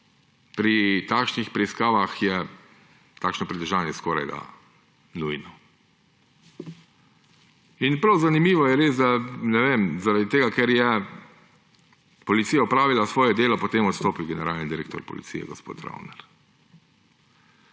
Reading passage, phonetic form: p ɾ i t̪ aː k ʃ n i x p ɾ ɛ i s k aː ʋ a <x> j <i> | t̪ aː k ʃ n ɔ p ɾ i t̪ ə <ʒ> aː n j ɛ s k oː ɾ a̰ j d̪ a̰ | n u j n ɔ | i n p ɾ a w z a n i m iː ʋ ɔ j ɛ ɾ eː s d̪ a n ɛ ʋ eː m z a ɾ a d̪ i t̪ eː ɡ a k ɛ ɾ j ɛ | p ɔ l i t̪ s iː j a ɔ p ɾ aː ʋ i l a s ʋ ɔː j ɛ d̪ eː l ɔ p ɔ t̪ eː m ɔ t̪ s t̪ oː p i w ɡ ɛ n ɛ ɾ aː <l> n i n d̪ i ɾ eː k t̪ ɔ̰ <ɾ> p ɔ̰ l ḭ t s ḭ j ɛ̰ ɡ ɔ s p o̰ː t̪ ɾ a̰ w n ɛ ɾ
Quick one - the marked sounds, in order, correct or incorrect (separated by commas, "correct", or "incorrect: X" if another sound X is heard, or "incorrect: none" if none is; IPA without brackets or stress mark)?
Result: correct, incorrect: ɛ, correct, correct, correct